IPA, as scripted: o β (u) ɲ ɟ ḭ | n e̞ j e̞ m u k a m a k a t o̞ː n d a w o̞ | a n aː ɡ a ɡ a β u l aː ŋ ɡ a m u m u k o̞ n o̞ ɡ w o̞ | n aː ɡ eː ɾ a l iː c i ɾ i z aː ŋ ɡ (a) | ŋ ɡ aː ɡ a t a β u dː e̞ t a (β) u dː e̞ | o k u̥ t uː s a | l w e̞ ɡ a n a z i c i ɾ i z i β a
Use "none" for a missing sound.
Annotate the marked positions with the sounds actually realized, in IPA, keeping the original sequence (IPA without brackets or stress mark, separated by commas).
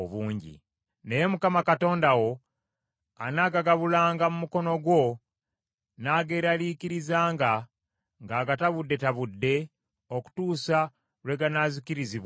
uː, a, β